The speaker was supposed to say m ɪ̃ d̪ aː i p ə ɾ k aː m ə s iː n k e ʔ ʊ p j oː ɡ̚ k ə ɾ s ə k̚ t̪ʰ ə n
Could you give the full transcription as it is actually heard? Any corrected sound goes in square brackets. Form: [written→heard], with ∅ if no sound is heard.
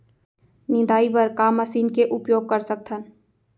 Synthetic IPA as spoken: [m→n] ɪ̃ d̪ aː i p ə ɾ k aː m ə s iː n k e ʔ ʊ p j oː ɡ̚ k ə ɾ s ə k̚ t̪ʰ ə n